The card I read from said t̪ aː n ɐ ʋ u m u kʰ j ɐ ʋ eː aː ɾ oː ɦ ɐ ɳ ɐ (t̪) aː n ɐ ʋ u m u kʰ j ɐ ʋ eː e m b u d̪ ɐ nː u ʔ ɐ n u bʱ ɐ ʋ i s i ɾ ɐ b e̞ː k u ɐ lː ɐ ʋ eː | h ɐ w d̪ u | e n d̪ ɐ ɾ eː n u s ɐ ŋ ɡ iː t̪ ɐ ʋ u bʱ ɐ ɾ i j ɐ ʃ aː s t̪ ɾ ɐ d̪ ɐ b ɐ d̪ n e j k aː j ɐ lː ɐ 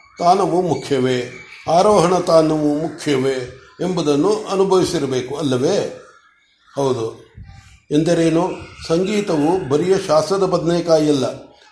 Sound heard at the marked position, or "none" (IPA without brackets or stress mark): t̪